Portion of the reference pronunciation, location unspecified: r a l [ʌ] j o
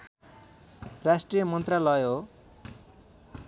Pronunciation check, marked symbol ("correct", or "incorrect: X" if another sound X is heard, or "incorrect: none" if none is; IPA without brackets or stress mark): correct